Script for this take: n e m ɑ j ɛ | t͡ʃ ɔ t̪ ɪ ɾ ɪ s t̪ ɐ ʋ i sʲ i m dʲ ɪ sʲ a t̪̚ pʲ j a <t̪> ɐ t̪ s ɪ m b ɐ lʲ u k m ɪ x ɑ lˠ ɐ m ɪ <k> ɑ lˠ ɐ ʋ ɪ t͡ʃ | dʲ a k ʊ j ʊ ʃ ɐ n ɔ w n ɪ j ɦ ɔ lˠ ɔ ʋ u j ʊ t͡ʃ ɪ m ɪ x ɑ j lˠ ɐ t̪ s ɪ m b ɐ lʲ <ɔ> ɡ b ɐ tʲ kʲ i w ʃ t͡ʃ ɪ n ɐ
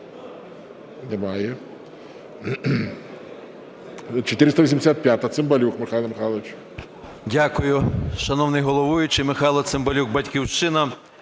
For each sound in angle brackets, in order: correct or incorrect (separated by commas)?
correct, incorrect, incorrect